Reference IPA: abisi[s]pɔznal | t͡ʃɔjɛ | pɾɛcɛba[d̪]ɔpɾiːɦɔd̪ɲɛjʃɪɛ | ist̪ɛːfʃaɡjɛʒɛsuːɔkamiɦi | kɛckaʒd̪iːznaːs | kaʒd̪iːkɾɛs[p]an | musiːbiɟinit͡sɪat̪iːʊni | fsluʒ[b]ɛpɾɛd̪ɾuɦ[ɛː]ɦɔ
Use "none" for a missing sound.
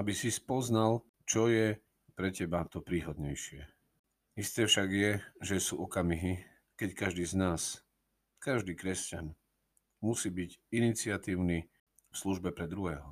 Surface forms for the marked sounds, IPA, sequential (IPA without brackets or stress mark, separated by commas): s, t̪, c, b, ɛː